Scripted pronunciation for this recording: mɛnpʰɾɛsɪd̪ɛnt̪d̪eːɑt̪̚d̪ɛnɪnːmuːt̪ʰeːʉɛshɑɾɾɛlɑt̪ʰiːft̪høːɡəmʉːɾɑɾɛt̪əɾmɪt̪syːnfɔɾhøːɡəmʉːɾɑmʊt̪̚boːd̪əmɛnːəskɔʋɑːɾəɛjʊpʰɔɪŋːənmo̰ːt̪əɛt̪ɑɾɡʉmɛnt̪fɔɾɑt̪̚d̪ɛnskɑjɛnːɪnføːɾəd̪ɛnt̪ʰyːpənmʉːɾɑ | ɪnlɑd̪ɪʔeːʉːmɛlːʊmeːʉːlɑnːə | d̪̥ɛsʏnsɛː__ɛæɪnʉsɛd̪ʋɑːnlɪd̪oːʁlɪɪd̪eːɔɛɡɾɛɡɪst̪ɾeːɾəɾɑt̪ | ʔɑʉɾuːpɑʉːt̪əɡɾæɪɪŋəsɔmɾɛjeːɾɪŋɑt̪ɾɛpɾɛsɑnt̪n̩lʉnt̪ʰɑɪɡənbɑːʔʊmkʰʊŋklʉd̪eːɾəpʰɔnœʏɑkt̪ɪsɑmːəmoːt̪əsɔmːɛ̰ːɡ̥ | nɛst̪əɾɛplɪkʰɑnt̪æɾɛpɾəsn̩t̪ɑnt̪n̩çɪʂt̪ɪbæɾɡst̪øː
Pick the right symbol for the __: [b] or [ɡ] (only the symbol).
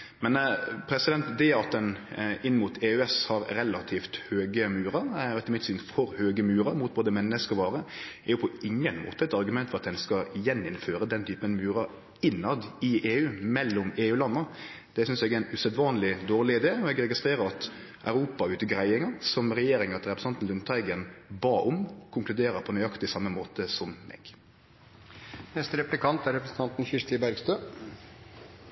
ɡ